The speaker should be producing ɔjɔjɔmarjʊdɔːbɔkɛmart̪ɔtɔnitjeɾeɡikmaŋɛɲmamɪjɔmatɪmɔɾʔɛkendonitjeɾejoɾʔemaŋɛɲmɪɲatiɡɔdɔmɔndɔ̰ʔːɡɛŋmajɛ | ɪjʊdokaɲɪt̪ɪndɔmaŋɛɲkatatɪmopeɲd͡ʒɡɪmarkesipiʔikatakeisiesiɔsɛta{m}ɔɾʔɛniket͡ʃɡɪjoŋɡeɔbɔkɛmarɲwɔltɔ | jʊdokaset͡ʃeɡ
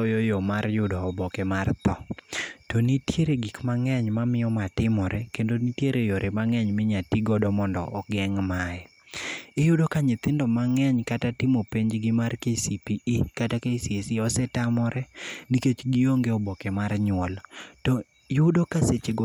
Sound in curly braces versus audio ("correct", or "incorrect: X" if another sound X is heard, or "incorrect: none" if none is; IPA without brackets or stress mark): correct